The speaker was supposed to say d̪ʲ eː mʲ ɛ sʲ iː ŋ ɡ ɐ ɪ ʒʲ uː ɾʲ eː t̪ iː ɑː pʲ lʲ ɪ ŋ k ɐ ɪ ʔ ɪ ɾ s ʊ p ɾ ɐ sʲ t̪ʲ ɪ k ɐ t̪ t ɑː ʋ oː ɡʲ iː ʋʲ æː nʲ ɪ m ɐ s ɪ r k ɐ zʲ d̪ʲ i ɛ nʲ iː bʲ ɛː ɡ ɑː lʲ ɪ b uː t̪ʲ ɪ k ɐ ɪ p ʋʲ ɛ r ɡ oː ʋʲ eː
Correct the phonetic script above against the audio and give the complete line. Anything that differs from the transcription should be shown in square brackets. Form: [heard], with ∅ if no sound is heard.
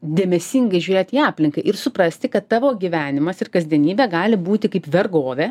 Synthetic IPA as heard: d̪ʲ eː mʲ ɛ sʲ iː ŋ ɡ ɐ ɪ ʒʲ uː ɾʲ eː t̪ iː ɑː pʲ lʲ ɪ ŋ k ɐ ɪ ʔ ɪ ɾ s ʊ p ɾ ɐ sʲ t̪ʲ ɪ k ɐ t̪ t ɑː ʋ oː ɡʲ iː ʋʲ æː nʲ ɪ m ɐ s ɪ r k ɐ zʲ d̪ʲ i ɛ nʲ iː bʲ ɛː ɡ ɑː lʲ ɪ b uː t̪ʲ ɪ k ɐ ɪ p ʋʲ ɛ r ɡ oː ʋʲ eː

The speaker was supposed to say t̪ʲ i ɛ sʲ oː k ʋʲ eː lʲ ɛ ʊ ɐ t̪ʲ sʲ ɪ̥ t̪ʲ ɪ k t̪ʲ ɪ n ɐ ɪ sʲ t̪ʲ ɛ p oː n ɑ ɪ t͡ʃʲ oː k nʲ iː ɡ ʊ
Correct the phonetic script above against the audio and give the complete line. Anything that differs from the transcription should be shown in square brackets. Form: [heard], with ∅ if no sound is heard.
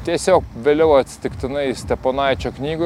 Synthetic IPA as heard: t̪ʲ i ɛ sʲ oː k ʋʲ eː lʲ ɛ ʊ ɐ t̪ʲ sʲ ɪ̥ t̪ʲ ɪ k t̪ʲ ɪ n ɐ ɪ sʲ t̪ʲ ɛ p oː n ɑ ɪ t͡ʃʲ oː k nʲ iː ɡ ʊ

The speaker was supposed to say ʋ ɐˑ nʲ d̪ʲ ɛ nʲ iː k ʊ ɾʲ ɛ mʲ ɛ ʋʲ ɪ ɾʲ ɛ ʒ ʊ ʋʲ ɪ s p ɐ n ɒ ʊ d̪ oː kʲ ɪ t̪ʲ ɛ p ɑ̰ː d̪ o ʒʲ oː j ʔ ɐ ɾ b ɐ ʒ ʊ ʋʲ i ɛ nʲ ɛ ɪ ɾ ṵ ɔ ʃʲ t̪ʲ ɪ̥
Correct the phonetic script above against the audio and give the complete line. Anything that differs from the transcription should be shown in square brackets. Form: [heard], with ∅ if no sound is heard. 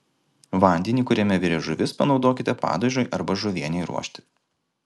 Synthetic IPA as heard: ʋ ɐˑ nʲ d̪ʲ ɛ nʲ iː k ʊ ɾʲ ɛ mʲ ɛ ʋʲ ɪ ɾʲ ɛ ʒ ʊ ʋʲ ɪ s p ɐ n ɒ ʊ d̪ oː kʲ ɪ t̪ʲ ɛ p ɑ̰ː d̪ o ʒʲ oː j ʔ ɐ ɾ b ɐ ʒ ʊ ʋʲ i ɛ nʲ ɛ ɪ ɾ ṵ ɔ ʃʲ t̪ʲ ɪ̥

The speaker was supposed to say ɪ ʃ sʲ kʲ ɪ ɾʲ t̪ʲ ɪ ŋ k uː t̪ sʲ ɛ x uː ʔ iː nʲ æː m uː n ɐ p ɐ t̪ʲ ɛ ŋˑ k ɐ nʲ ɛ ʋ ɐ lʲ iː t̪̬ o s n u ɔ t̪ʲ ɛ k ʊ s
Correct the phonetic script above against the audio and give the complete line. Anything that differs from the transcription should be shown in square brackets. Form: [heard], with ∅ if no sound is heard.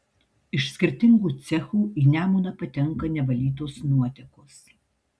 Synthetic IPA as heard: ɪ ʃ sʲ kʲ ɪ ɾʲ t̪ʲ ɪ ŋ [ɡ] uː t̪ sʲ ɛ x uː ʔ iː nʲ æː m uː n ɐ p ɐ t̪ʲ ɛ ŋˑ k ɐ nʲ ɛ ʋ ɐ lʲ iː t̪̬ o s n u ɔ t̪ʲ ɛ k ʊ s

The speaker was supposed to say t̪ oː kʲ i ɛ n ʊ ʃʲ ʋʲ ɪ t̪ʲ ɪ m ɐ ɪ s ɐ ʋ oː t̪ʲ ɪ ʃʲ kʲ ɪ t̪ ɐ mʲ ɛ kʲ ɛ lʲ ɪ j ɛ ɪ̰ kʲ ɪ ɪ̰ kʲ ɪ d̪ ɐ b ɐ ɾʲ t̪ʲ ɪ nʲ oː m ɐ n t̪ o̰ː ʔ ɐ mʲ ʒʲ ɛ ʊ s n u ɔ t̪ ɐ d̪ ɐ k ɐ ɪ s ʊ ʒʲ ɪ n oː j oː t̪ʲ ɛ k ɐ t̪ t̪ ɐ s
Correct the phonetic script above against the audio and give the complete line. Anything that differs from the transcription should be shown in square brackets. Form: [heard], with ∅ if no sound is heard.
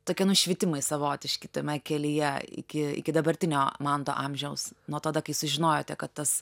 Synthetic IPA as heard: t̪ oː kʲ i ɛ n ʊ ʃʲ ʋʲ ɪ t̪ʲ ɪ m ɐ ɪ s ɐ ʋ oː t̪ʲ ɪ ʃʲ kʲ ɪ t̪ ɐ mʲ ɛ kʲ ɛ lʲ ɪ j ɛ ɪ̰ kʲ ɪ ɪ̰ kʲ ɪ d̪ ɐ b ɐ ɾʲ t̪ʲ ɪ nʲ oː m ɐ n t̪ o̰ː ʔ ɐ mʲ ʒʲ ɛ ʊ s n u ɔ t̪ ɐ d̪ ɐ k ɐ ɪ s ʊ ʒʲ ɪ n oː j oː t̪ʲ ɛ k ɐ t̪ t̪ ɐ s

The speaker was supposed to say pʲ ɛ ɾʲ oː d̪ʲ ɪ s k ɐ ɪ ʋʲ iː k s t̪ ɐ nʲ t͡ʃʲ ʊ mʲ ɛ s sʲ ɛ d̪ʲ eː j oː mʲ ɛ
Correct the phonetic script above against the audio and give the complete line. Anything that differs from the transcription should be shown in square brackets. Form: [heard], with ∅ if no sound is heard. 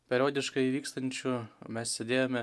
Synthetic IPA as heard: pʲ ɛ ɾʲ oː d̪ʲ ɪ [ʃ] k ɐ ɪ ʋʲ iː k s t̪ ɐ nʲ t͡ʃʲ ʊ mʲ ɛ s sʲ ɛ d̪ʲ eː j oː mʲ ɛ

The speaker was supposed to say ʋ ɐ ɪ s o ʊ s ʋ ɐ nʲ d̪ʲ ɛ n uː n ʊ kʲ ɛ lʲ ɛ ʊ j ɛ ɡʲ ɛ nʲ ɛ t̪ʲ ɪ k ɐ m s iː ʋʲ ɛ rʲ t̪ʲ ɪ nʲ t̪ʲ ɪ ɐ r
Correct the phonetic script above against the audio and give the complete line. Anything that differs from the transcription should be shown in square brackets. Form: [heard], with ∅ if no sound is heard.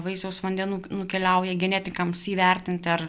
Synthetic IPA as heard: ʋ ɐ ɪ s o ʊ s ʋ ɐ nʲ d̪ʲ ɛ n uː n ʊ kʲ ɛ lʲ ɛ ʊ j ɛ ɡʲ ɛ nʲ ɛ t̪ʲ ɪ k ɐ m s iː ʋʲ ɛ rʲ t̪ʲ ɪ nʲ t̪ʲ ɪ ɐ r

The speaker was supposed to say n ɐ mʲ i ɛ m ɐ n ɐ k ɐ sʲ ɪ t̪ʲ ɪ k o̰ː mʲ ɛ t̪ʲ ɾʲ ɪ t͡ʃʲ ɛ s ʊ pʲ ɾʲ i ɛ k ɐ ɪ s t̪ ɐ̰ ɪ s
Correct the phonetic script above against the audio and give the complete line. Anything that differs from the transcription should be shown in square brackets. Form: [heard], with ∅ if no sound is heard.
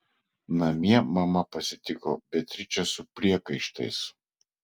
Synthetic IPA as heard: n ɐ mʲ i ɛ m ɐ [m] ɐ [p] ɐ sʲ ɪ t̪ʲ ɪ k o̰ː [bʲ] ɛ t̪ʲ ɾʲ ɪ t͡ʃʲ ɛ s ʊ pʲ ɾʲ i ɛ k ɐ ɪ [ʃ] t̪ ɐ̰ ɪ s

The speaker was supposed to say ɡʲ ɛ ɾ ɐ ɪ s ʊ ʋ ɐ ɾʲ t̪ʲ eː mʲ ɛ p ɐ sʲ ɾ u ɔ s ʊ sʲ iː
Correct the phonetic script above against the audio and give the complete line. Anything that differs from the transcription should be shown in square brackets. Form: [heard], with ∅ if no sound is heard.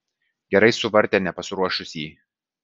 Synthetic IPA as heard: ɡʲ ɛ ɾ ɐ ɪ s ʊ ʋ ɐ ɾʲ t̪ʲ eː [nʲ] ɛ p ɐ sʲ ɾ u ɔ [ʃ] ʊ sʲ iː

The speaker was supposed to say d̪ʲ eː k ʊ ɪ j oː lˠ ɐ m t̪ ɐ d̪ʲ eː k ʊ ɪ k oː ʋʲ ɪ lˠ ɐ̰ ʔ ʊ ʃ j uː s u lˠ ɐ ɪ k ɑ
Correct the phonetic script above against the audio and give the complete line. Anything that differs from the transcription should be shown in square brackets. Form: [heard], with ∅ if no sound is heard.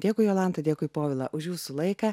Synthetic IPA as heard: d̪ʲ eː k ʊ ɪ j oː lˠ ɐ [n] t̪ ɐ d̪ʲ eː k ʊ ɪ [p] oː ʋʲ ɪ lˠ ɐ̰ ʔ ʊ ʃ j uː s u lˠ ɐ ɪ k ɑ

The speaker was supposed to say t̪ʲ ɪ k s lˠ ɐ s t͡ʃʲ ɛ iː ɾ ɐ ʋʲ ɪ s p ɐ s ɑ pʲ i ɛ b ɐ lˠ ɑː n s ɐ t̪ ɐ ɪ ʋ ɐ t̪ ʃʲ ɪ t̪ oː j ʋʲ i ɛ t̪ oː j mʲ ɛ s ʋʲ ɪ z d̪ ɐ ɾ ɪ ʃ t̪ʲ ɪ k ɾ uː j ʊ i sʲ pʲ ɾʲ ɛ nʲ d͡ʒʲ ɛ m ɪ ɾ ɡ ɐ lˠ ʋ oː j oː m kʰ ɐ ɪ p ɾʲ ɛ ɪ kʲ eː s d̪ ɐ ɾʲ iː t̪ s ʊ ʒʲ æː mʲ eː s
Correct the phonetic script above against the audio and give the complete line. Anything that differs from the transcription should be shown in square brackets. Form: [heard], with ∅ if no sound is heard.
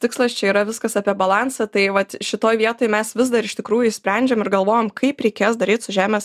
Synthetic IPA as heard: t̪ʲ ɪ k s lˠ ɐ s t͡ʃʲ ɛ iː ɾ ɐ ʋʲ ɪ s [k] ɐ s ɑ pʲ i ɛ b ɐ lˠ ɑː n s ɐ t̪ ɐ ɪ ʋ ɐ t̪ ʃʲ ɪ t̪ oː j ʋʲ i ɛ t̪ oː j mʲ ɛ s ʋʲ ɪ z d̪ ɐ ɾ ɪ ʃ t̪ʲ ɪ k ɾ uː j ʊ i sʲ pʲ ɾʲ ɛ nʲ d͡ʒʲ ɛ m ɪ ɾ ɡ ɐ lˠ ʋ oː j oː m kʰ ɐ ɪ p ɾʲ ɛ ɪ kʲ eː s d̪ ɐ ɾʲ iː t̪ s ʊ ʒʲ æː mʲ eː s

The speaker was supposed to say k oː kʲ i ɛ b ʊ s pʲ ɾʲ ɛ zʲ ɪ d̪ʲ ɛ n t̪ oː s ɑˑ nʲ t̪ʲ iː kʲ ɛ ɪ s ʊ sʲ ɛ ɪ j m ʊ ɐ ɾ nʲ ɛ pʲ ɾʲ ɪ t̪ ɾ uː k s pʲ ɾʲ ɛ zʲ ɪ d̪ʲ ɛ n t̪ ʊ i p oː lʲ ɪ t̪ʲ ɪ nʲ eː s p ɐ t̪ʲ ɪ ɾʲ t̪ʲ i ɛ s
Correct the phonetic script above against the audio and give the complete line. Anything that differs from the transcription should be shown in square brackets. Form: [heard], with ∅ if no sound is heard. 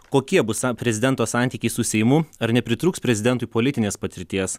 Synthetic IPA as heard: k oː kʲ i ɛ b ʊ s pʲ ɾʲ ɛ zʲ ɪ d̪ʲ ɛ n t̪ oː s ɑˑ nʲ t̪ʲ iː kʲ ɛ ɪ s ʊ sʲ ɛ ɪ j m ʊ ɐ ɾ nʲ ɛ pʲ ɾʲ ɪ t̪ ɾ uː k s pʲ ɾʲ ɛ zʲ ɪ d̪ʲ ɛ n t̪ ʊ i p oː lʲ ɪ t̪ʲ ɪ nʲ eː s p ɐ t̪ʲ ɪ ɾʲ t̪ʲ i ɛ s

